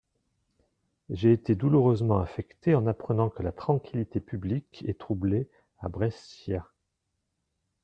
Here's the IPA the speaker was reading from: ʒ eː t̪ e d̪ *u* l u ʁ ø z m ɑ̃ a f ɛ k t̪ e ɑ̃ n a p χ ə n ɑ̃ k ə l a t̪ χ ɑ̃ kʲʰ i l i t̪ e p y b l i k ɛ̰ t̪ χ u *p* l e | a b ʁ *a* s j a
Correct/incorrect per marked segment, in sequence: correct, incorrect: b, incorrect: ɛ

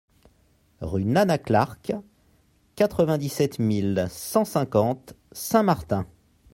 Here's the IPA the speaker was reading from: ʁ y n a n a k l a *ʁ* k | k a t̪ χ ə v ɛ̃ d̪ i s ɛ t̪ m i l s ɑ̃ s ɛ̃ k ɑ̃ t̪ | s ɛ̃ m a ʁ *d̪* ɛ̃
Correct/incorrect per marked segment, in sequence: correct, incorrect: t̪

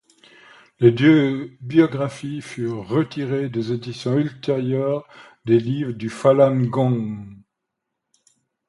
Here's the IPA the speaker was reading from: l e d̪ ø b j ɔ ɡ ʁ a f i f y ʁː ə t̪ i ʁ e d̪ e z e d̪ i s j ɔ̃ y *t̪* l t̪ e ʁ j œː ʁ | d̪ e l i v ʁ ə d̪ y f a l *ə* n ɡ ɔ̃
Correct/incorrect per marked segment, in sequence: incorrect: none, incorrect: a

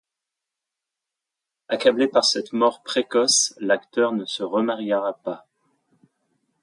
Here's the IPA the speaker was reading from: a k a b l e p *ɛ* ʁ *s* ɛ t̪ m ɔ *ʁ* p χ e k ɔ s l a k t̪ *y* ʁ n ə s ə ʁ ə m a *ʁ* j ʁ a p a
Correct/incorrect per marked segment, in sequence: incorrect: a, correct, correct, incorrect: œ, correct

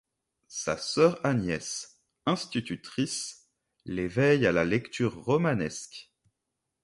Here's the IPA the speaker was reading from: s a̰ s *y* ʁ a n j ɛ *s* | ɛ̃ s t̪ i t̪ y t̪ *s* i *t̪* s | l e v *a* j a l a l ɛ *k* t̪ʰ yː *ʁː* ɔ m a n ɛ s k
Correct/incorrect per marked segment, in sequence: incorrect: œ, correct, incorrect: χ, incorrect: none, incorrect: ɛ, correct, correct

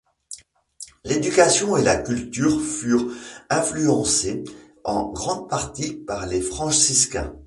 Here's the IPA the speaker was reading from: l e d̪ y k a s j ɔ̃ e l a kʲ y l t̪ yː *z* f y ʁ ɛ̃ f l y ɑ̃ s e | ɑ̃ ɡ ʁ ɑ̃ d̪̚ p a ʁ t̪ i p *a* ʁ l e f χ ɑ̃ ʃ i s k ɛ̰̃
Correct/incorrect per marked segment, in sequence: incorrect: ʁ, correct

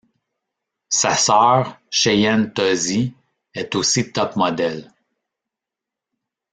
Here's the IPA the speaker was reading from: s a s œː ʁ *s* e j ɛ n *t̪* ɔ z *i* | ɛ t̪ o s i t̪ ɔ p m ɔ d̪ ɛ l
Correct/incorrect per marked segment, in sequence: incorrect: ʃ, correct, correct

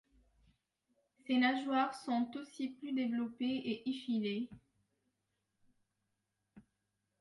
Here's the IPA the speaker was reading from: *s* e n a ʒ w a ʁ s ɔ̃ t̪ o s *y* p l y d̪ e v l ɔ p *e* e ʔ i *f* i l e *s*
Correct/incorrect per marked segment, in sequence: correct, incorrect: i, correct, correct, incorrect: none

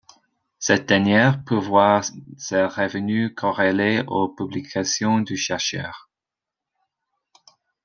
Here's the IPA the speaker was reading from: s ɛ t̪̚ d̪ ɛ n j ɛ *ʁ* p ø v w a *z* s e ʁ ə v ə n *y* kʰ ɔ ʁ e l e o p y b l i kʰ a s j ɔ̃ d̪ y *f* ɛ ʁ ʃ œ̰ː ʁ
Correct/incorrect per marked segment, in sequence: correct, incorrect: ʁ, correct, incorrect: ʃ

